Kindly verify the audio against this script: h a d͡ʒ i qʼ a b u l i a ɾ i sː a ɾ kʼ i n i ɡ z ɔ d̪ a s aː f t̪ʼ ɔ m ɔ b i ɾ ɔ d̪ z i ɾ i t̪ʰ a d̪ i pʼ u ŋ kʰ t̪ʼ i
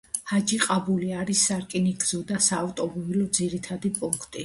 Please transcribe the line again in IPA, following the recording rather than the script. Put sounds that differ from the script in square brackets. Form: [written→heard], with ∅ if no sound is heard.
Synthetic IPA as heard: h a d͡ʒ i qʼ a b u l i a ɾ i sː a ɾ kʼ i n i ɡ z ɔ d̪ a s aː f t̪ʼ ɔ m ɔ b i [ɾ→l] ɔ d̪ z i ɾ i t̪ʰ a d̪ i pʼ u ŋ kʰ t̪ʼ i

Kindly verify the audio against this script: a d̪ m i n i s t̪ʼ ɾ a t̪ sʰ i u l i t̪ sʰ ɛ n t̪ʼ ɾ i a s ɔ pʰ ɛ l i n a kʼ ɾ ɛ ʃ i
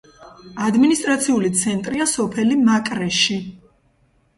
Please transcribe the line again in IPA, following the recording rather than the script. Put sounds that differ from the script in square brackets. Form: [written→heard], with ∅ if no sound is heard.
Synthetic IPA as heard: a d̪ m i n i s t̪ʼ ɾ a t̪ sʰ i u l i t̪ sʰ ɛ n t̪ʼ ɾ i a s ɔ pʰ ɛ l i [n→m] a kʼ ɾ ɛ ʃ i

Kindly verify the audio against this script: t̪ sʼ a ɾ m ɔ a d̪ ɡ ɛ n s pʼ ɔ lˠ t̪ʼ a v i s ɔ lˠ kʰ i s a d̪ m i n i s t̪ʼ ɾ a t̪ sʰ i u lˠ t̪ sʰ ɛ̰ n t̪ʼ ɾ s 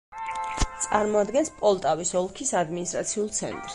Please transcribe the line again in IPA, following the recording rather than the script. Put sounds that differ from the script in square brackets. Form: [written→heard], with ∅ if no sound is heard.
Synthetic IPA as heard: t̪ sʼ a ɾ m ɔ a d̪ ɡ ɛ n s pʼ ɔ lˠ t̪ʼ a v i s ɔ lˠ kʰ i s a d̪ m i n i s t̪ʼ ɾ a t̪ sʰ i u lˠ t̪ sʰ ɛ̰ n t̪ʼ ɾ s

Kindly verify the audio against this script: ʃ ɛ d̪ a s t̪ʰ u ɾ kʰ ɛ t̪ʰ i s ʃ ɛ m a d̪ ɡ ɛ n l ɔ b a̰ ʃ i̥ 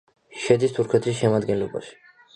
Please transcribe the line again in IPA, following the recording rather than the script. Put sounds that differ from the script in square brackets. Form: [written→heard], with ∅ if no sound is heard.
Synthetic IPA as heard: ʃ ɛ d̪ [a→i] s t̪ʰ u ɾ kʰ ɛ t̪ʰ i s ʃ ɛ m a d̪ ɡ ɛ n l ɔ b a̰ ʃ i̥

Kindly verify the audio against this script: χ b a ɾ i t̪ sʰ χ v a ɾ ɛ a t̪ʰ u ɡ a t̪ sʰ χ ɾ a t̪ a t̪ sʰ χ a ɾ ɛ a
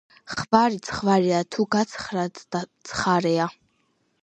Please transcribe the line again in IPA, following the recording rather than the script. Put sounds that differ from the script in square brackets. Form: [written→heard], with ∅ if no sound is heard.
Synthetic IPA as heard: χ b a ɾ i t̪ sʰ χ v a ɾ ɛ a t̪ʰ u ɡ a t̪ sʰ χ ɾ a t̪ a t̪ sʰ χ a ɾ ɛ a

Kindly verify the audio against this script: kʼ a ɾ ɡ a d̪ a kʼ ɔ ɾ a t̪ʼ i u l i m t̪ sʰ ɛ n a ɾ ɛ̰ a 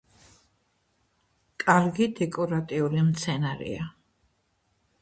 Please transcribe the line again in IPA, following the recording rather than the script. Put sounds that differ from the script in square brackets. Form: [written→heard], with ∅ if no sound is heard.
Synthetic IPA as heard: kʼ a ɾ ɡ [a→i] d̪ [a→ɛ] kʼ ɔ ɾ a t̪ʼ i u l i m t̪ sʰ ɛ n a ɾ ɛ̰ a

